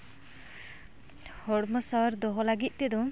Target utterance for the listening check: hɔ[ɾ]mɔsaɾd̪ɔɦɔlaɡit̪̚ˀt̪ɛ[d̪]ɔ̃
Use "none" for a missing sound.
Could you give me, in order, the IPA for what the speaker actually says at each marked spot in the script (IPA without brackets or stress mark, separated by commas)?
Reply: ɽ, d̪